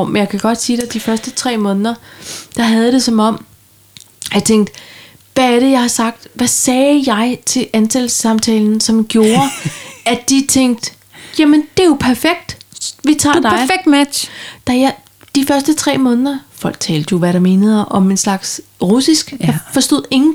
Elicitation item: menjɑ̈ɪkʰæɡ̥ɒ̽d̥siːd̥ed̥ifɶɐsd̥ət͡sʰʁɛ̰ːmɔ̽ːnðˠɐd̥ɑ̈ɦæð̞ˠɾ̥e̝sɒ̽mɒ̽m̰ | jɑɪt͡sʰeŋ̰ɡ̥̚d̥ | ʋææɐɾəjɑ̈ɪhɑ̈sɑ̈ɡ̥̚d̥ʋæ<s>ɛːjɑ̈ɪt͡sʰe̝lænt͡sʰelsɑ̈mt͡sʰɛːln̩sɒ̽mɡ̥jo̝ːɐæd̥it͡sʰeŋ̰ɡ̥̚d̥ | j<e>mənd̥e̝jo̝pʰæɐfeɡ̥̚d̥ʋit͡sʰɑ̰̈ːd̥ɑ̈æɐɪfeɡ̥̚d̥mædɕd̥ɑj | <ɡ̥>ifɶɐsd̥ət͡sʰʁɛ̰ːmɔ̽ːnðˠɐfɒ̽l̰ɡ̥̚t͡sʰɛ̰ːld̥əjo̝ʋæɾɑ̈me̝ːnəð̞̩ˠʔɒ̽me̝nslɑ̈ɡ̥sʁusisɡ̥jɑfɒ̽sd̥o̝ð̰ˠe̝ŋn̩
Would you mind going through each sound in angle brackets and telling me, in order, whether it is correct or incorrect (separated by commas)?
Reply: correct, incorrect, incorrect